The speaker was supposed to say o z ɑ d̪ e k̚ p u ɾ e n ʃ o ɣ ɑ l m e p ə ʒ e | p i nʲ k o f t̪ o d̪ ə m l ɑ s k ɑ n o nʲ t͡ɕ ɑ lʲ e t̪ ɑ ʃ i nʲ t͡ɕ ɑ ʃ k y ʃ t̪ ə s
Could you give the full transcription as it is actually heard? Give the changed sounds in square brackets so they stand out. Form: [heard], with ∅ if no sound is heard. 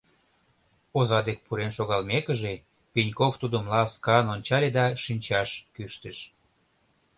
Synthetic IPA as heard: o z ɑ d̪ e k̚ p u ɾ e n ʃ o ɣ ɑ l m e [k] ə ʒ e | p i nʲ k o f t̪ [u] d̪ ə m l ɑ s k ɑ n o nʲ t͡ɕ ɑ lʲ e [d̪] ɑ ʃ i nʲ t͡ɕ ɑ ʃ k y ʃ t̪ ə [ʃ]